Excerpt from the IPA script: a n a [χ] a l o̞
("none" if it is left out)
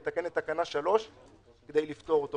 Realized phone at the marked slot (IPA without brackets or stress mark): ʃ